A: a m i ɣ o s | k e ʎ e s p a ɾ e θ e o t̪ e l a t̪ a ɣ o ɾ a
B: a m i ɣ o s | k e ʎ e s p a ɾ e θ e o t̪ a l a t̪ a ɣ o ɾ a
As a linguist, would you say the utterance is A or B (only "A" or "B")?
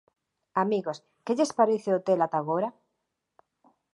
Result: A